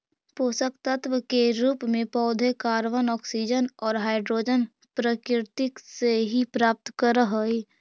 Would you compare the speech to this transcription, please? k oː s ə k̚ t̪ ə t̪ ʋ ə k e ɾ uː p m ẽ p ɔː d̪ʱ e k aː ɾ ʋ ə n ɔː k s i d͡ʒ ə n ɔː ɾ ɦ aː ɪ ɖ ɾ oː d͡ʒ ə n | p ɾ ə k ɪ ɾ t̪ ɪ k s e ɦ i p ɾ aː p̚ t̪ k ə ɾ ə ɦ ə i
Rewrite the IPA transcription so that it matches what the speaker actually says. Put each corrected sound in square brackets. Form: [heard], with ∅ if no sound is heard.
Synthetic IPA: [p] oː s ə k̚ t̪ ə t̪ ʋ ə k e ɾ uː p m ẽ p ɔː d̪ʱ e k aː ɾ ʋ ə n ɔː k s i d͡ʒ ə n ɔː ɾ ɦ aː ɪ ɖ ɾ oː d͡ʒ ə n | p ɾ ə k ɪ ɾ t̪ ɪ k s e ɦ i p ɾ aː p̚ t̪ k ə ɾ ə ɦ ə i